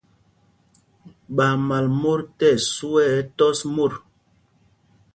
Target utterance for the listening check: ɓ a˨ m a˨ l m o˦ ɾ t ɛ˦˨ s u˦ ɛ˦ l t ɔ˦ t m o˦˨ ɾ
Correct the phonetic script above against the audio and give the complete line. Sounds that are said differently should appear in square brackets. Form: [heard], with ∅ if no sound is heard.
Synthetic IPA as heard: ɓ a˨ m a˨ l m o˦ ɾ t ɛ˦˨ s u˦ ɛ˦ [∅] t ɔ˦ [s] m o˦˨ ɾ